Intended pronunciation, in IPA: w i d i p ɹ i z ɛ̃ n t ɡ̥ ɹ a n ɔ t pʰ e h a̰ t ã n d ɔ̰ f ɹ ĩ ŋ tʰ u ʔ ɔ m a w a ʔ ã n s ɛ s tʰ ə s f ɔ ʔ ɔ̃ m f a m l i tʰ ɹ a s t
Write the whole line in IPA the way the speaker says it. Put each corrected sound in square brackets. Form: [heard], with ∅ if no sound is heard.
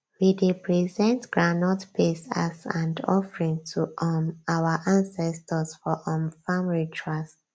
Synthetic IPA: w i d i p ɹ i z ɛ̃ n t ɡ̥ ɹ a n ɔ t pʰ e [s] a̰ [s] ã n d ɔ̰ f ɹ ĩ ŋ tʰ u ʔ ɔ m a w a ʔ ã n s ɛ s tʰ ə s f ɔ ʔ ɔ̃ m f a m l i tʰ ɹ a s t